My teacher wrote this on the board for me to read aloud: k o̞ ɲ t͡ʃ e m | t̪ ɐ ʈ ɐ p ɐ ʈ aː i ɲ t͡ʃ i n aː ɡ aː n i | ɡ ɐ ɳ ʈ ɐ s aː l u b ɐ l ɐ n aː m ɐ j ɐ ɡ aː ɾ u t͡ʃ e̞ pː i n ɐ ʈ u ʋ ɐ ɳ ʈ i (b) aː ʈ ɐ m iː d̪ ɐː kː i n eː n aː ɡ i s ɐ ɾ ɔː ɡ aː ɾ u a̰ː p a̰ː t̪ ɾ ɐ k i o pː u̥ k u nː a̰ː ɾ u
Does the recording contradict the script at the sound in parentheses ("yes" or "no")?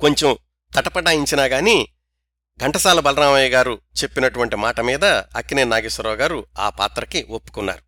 yes